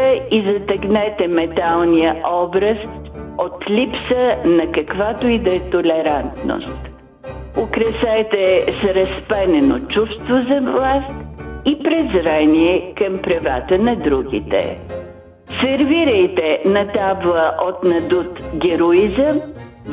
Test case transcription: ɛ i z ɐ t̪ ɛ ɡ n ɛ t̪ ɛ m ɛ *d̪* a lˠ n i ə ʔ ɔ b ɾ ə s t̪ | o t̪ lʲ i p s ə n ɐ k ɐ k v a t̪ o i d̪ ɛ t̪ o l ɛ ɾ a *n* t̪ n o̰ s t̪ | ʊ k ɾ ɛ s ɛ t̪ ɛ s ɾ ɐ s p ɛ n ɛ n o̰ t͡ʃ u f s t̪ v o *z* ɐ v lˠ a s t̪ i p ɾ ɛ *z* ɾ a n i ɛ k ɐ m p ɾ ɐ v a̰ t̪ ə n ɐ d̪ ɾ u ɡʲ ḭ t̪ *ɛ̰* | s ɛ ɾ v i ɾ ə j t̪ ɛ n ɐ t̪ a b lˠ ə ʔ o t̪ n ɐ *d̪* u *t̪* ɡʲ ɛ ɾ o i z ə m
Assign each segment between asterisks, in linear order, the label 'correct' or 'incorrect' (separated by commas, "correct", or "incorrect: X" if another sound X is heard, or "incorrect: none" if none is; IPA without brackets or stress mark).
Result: incorrect: t̪, correct, correct, correct, correct, correct, correct